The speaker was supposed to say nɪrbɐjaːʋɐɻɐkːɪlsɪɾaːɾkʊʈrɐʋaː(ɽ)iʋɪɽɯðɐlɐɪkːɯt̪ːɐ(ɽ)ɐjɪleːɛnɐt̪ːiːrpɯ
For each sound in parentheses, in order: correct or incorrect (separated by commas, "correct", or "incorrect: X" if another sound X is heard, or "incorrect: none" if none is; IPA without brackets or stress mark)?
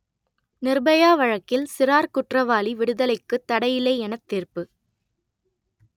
incorrect: l, correct